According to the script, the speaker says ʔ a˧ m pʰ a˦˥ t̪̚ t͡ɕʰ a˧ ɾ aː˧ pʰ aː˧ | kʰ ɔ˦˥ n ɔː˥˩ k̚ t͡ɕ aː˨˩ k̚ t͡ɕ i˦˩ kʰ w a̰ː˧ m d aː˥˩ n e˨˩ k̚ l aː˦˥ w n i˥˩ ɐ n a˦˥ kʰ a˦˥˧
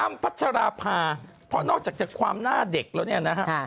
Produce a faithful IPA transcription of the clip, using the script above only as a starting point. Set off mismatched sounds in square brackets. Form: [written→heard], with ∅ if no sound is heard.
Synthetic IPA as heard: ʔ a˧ m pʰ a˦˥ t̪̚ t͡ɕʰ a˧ ɾ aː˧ pʰ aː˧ | [kʰ→pʰ] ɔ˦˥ n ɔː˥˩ k̚ t͡ɕ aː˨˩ k̚ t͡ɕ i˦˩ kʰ w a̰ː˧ m [d→n] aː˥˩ [n→d] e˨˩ k̚ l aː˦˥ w n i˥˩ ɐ n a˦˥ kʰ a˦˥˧